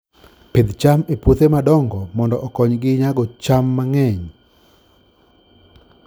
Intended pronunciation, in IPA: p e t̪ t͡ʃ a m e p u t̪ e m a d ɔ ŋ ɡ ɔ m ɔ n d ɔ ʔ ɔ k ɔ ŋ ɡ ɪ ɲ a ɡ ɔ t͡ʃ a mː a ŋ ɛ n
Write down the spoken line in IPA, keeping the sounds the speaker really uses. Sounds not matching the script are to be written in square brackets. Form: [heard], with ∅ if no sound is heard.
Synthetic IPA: p e [d̪] t͡ʃ a m e p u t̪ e m a d ɔ ŋ ɡ ɔ m ɔ n d ɔ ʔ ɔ k ɔ [ɲ] ɡ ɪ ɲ a ɡ ɔ t͡ʃ a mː a ŋ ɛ [ɲ]

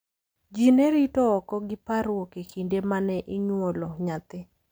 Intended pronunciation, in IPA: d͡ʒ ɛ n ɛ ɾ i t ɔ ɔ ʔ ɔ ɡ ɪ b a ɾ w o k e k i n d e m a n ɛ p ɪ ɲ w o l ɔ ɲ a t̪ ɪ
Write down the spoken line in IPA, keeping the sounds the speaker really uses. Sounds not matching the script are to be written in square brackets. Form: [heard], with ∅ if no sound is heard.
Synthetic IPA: d͡ʒ [i] n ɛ ɾ i t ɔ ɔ [k] ɔ ɡ ɪ [p] a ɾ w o k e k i n d e m a n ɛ [ʔ] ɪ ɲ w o l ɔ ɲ a t̪ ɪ

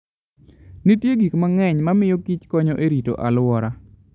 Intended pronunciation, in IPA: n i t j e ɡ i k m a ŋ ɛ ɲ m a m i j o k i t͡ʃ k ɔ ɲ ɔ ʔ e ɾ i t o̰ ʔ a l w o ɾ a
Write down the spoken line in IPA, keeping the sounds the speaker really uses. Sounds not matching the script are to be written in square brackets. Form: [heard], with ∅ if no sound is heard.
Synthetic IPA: n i t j e ɡ i k m a ŋ ɛ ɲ m a m [ɪ] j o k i t͡ʃ k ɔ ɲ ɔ ʔ e ɾ i t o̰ ʔ a l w [ɔ] ɾ a

